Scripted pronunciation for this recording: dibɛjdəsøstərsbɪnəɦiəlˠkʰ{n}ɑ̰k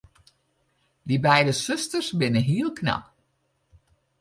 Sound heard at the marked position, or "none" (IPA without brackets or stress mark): n